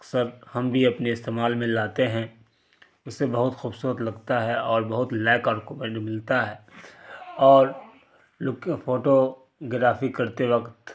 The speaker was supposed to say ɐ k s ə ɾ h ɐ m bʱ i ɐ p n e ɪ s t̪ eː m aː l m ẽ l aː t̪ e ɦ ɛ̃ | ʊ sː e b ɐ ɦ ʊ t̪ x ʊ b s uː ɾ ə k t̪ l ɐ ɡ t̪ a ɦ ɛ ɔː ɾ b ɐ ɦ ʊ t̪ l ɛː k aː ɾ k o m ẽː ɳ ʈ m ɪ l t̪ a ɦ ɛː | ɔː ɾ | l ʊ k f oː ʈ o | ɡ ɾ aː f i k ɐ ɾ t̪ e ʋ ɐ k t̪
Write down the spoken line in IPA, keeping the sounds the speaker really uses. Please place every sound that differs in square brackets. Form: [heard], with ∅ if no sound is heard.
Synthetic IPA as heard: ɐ k s ə ɾ h ɐ m bʱ i ɐ p n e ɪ s t̪ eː m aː l m ẽ l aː t̪ e ɦ ɛ̃ | ʊ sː e b ɐ ɦ ʊ t̪ x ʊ b s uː ɾ ə [∅] t̪ l ɐ ɡ t̪ a ɦ ɛ ɔː ɾ b ɐ ɦ ʊ t̪ l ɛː k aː ɾ k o m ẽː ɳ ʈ m ɪ l t̪ a ɦ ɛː | ɔː ɾ | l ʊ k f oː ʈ o | ɡ ɾ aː f i k ɐ ɾ t̪ e ʋ ɐ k t̪

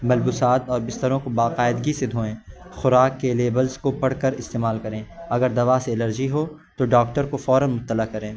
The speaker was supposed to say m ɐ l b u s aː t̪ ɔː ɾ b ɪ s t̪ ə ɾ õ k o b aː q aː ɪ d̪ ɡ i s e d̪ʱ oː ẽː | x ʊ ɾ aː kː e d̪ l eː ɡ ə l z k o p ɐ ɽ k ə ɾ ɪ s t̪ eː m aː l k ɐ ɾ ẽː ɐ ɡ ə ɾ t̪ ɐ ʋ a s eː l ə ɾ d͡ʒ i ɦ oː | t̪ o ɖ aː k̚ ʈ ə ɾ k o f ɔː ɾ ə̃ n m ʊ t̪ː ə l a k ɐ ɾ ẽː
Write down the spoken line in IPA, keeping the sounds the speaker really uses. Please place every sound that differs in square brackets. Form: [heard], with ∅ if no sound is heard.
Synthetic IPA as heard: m ɐ l b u s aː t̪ ɔː ɾ b ɪ s t̪ ə ɾ õ k o b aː q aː ɪ d̪ ɡ i s e d̪ʱ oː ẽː | x ʊ ɾ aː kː e [∅] l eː [b] ə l z k o p ɐ ɽ k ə ɾ ɪ s t̪ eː m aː l k ɐ ɾ ẽː ɐ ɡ ə ɾ [d̪] ɐ ʋ a s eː l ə ɾ d͡ʒ i ɦ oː | t̪ o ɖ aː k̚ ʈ ə ɾ k o f ɔː ɾ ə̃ n m ʊ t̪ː ə l a k ɐ ɾ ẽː

